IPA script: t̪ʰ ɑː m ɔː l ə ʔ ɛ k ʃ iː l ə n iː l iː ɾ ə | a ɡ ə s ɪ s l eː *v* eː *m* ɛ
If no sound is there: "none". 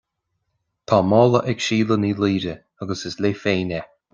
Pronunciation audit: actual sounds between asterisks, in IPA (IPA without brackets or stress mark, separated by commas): f, n